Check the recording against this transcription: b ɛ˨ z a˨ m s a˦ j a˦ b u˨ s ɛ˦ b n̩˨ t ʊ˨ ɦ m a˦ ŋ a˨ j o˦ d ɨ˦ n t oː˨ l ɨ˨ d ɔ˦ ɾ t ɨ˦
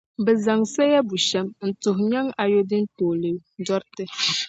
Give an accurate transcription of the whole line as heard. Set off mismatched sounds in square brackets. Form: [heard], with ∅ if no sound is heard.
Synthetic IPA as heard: b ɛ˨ z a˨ [ŋ] s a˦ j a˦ b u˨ [ʃ] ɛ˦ [m] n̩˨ t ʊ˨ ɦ [ɲ] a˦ ŋ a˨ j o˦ d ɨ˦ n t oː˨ l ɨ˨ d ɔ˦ ɾ t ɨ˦